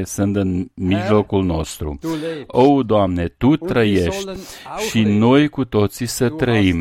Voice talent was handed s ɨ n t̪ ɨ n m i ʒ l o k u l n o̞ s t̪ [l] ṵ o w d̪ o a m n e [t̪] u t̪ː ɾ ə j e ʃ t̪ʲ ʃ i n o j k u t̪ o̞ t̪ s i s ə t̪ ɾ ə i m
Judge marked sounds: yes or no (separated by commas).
no, yes